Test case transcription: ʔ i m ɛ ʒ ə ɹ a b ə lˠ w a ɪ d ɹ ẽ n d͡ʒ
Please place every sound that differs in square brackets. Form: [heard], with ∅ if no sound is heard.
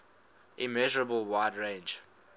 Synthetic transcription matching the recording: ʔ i m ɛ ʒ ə ɹ [ə] b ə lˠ w a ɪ d ɹ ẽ n d͡ʒ